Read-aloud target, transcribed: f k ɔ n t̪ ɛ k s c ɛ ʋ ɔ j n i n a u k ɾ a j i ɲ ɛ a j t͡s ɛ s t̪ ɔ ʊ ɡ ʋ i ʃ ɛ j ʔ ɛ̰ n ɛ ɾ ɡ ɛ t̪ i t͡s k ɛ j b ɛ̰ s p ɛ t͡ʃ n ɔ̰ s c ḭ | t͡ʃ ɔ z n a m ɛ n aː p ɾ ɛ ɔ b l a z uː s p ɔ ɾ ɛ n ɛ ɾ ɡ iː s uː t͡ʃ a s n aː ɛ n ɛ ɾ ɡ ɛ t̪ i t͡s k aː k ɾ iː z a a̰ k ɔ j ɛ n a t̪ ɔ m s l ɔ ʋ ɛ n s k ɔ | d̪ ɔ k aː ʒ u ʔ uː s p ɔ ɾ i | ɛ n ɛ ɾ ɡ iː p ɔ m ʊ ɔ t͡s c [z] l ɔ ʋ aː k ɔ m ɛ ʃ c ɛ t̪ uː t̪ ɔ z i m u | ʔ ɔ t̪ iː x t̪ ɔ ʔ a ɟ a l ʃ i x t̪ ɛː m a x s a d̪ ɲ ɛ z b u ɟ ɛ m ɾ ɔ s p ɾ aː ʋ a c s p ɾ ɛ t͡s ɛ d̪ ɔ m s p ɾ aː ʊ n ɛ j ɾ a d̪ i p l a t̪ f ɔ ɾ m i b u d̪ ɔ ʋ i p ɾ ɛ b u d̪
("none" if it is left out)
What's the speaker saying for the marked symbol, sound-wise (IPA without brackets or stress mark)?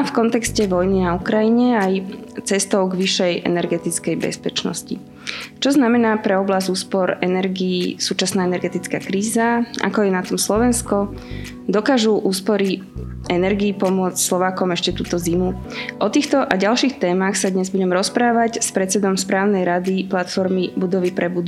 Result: s